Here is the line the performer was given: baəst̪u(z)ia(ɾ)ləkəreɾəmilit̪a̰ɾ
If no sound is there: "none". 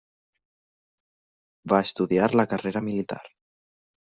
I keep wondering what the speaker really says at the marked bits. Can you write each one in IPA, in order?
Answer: ð, ɾ

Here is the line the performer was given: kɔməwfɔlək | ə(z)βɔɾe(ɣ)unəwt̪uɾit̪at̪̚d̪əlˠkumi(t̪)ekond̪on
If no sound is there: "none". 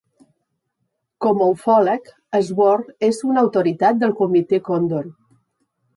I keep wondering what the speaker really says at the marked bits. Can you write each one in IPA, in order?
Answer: z, z, t̪

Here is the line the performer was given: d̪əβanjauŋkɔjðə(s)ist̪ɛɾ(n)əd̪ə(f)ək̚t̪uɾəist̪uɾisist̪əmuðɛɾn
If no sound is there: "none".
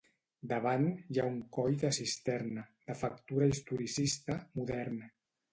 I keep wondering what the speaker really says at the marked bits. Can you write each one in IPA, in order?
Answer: s, n, f

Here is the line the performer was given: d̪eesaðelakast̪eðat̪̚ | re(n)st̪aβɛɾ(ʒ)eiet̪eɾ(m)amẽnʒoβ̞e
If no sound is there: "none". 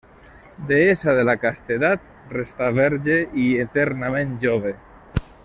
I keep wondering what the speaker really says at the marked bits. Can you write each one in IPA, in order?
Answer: none, ʒ, n

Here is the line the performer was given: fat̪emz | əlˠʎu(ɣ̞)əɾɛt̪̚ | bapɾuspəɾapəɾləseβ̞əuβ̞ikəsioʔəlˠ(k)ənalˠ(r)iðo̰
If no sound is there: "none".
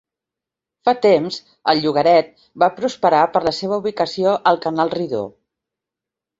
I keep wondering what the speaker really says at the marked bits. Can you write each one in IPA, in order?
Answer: ɣ̞, k, r

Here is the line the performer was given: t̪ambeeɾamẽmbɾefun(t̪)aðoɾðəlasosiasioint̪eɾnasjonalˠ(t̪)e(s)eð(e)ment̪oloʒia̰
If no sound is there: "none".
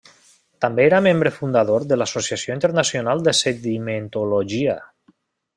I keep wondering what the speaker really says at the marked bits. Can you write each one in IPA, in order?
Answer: d̪, d̪, s, i

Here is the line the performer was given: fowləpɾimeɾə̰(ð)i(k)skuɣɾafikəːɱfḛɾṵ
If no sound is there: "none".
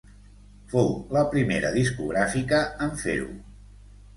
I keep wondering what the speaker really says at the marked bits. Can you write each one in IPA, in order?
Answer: ð, none

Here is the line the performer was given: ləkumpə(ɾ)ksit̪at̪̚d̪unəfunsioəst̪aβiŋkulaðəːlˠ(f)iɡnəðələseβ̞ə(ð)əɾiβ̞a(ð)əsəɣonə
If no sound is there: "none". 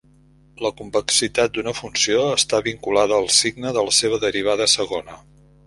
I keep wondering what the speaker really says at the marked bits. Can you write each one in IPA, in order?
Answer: none, s, ð, ð

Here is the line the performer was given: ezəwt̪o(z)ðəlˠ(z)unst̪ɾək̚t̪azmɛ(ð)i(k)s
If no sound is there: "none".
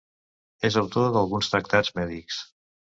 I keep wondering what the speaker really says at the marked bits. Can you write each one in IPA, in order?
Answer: none, ɣ, ð, k

